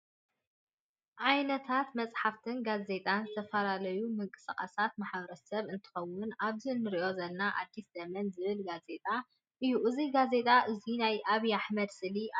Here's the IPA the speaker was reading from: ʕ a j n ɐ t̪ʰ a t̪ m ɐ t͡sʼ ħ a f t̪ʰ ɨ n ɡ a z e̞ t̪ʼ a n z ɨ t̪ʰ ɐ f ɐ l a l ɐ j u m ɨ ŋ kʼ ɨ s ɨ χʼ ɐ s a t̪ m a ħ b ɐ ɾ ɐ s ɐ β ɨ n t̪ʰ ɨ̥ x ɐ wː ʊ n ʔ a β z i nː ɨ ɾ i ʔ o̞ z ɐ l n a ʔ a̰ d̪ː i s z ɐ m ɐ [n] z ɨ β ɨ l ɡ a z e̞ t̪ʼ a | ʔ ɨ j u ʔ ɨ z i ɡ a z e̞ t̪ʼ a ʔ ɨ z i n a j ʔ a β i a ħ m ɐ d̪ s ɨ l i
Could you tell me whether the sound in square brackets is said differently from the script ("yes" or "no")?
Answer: no